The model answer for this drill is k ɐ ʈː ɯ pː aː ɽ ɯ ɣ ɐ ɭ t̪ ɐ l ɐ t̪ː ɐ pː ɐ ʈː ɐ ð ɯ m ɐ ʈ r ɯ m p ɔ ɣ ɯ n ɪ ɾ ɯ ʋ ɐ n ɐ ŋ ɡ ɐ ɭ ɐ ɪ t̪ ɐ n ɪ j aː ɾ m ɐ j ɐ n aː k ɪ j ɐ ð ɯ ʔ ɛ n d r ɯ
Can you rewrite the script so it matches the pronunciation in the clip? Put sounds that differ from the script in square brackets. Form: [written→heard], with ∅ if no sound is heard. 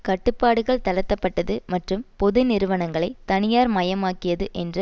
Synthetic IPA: k ɐ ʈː ɯ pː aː ɽ ɯ ɣ ɐ ɭ t̪ ɐ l ɐ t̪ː ɐ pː ɐ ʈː ɐ ð ɯ m ɐ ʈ r ɯ m p ɔ [ɣ→ð] ɯ n ɪ ɾ ɯ ʋ ɐ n ɐ ŋ ɡ ɐ ɭ ɐ ɪ t̪ ɐ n ɪ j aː ɾ m ɐ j ɐ [n→m] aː k ɪ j ɐ ð ɯ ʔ ɛ n d r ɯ